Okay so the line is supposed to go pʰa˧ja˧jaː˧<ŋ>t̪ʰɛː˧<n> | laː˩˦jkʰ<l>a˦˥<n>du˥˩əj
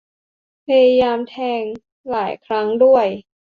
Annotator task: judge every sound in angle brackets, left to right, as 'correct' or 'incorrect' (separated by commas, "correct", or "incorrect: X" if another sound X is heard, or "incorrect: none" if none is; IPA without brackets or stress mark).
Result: incorrect: m, incorrect: ŋ, incorrect: ɾ, incorrect: ŋ